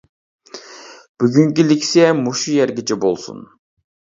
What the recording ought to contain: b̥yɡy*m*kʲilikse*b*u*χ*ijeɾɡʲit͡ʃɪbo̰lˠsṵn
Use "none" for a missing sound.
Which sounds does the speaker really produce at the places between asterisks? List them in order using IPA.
ŋ, m, ʃ

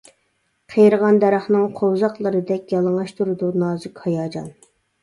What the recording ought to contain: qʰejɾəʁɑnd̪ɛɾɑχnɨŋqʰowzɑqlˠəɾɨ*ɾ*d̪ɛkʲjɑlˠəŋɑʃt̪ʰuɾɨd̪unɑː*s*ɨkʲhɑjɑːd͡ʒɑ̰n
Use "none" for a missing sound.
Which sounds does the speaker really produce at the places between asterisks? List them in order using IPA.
none, z

